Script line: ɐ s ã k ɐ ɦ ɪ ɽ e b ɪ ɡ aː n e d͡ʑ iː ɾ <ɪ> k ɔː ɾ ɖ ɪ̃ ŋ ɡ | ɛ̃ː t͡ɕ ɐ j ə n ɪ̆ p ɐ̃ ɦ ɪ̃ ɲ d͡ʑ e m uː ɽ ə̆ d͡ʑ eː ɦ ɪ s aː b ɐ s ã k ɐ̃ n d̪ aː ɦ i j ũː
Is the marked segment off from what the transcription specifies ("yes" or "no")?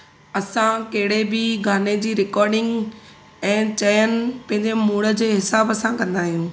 no